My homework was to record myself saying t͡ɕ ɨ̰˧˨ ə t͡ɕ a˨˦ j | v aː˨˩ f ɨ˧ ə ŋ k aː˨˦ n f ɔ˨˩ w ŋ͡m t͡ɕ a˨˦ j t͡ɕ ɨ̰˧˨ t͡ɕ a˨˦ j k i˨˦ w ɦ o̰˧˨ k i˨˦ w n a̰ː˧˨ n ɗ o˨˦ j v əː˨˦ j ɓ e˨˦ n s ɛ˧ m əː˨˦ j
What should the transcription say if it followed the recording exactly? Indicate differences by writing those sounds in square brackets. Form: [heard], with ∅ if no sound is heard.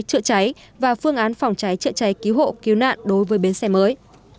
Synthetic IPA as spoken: t͡ɕ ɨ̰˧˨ ə t͡ɕ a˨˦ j | v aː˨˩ f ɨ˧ ə ŋ [ʔ] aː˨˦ n f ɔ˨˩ w ŋ͡m t͡ɕ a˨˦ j t͡ɕ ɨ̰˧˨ t͡ɕ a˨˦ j k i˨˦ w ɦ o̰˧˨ k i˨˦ w n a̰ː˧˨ n ɗ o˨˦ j v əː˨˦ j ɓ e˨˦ n s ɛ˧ m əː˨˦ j